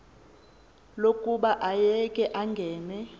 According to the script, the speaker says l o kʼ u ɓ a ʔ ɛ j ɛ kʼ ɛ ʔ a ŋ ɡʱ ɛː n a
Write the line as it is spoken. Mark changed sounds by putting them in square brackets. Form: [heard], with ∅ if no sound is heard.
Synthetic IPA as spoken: l o kʼ u ɓ a ʔ [a] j ɛ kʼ ɛ ʔ a ŋ ɡʱ ɛː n [ɛ]